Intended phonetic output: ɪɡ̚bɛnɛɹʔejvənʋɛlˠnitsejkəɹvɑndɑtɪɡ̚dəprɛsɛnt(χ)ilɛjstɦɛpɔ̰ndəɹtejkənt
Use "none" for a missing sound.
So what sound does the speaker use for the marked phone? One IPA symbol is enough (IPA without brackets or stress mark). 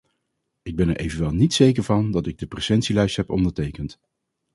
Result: s